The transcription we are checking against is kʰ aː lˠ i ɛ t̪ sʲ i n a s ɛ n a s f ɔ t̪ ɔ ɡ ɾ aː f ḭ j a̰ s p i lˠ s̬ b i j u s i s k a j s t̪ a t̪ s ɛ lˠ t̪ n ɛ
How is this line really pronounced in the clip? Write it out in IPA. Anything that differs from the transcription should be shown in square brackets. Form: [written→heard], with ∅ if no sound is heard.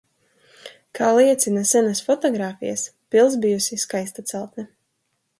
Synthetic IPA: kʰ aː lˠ i ɛ t̪ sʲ i n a s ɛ n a s f ɔ t̪ ɔ ɡ ɾ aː f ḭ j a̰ s p i lˠ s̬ b i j u s i s k a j s t̪ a t̪ s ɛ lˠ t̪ n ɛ

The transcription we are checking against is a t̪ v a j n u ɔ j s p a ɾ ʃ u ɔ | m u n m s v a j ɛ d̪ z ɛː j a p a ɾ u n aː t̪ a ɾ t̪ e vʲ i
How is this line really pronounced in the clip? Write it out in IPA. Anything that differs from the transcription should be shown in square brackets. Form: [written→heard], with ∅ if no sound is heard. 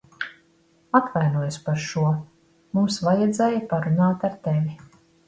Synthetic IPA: a t̪ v a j n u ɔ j s p a ɾ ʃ u ɔ | m u [n→∅] m s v a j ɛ d̪ z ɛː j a p a ɾ u n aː t̪ a ɾ t̪ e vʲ i

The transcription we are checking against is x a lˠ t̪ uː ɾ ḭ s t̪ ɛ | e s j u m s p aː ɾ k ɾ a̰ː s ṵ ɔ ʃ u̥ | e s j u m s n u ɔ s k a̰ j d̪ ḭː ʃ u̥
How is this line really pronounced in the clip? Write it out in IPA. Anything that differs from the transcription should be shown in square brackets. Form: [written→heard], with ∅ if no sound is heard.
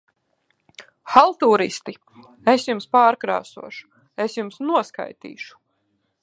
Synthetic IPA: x a lˠ t̪ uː ɾ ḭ s t̪ [ɛ→i] | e s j u m s p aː ɾ k ɾ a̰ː s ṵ ɔ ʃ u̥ | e s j u m s n u ɔ s k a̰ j [d̪→t̪] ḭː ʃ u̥

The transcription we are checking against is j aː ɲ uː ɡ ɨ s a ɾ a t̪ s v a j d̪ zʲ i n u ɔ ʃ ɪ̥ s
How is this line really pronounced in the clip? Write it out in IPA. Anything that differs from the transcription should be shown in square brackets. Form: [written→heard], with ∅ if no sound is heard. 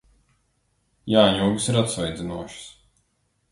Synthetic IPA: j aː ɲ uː ɡ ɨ s [a→i] ɾ a t̪ s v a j d̪ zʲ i n u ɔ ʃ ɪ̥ s

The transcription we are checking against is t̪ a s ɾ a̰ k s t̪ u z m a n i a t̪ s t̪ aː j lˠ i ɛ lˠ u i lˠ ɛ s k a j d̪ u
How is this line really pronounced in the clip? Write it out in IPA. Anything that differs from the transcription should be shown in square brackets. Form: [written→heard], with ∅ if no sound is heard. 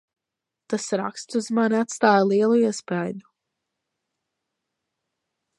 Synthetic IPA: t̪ a s ɾ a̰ k s t̪ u z m a n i a t̪ s t̪ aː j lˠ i ɛ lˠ u i [lˠ→∅] ɛ s [k→p] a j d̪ u

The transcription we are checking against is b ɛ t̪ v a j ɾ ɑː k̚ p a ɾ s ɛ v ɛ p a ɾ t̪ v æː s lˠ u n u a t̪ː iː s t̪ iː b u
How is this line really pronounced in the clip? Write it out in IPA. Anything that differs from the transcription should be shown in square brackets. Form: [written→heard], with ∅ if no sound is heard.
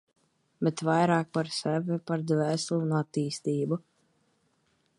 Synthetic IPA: b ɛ t̪ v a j ɾ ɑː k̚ p a ɾ s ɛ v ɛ p a ɾ [t̪→d̪] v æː s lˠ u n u a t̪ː iː s t̪ iː b u

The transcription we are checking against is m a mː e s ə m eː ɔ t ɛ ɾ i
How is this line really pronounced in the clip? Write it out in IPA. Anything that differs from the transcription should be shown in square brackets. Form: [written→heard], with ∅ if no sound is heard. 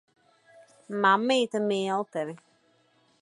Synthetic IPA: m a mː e [s→t] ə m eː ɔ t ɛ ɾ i

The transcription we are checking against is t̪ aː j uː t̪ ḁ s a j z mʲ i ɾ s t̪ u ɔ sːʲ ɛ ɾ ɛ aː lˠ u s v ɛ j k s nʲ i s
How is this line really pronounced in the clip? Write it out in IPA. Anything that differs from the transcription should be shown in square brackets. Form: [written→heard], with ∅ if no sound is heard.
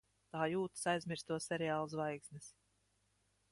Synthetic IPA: t̪ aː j uː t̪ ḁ s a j z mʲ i ɾ s t̪ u ɔ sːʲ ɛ ɾ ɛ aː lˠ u s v [ɛ→a] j k s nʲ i s

